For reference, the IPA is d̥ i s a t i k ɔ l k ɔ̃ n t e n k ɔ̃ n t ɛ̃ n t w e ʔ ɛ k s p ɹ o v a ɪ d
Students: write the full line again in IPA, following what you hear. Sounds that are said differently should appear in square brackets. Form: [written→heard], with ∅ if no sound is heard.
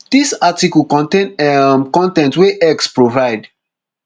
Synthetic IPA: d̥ i s a t i k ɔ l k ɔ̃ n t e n k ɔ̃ n t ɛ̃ n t w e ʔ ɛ k s p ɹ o v a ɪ d